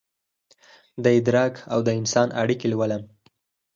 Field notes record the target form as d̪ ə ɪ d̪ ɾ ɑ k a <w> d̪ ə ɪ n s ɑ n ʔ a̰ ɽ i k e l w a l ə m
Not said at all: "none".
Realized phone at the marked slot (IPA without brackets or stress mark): w